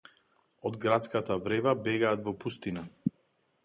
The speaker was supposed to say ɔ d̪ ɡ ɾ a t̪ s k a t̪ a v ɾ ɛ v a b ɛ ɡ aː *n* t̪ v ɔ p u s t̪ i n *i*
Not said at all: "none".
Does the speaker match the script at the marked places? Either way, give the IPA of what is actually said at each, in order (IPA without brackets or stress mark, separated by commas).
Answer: none, a